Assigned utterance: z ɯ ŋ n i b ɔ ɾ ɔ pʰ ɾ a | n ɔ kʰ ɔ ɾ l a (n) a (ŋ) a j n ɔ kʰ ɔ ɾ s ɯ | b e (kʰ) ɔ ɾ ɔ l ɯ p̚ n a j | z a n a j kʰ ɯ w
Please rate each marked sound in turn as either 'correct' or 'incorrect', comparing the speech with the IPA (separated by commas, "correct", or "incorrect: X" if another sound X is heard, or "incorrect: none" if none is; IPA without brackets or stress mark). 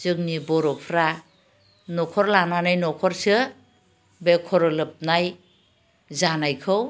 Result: correct, incorrect: n, correct